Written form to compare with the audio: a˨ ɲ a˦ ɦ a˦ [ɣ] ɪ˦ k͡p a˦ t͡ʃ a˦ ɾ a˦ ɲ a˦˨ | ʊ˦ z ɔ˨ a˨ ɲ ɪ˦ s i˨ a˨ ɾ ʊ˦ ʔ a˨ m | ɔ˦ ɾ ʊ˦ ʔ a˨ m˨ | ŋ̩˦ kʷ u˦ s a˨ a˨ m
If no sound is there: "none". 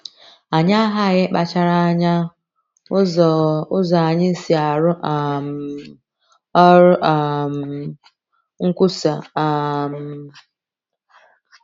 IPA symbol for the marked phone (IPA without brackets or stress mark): ɣ